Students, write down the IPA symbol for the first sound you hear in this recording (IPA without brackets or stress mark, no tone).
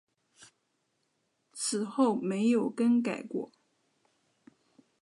t͡sʰ